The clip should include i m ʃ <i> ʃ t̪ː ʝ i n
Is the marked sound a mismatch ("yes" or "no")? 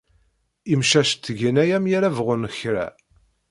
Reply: yes